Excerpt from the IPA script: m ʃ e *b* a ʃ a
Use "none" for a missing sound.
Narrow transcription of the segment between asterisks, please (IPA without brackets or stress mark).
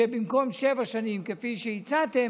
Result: v